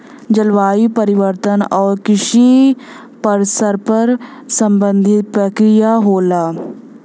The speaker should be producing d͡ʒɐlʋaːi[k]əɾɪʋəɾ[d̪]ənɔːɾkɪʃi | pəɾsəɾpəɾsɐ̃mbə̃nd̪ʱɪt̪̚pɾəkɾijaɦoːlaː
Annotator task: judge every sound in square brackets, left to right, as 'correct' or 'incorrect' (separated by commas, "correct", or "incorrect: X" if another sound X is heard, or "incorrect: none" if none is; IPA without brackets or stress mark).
incorrect: p, incorrect: t̪